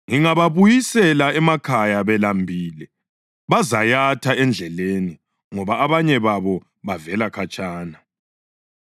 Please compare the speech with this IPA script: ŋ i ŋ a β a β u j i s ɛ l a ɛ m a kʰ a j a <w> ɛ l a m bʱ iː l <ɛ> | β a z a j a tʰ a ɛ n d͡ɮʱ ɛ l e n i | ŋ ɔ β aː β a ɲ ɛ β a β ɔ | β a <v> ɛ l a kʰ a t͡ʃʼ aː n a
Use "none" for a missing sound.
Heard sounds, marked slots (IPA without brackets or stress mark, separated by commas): β, ɛ, v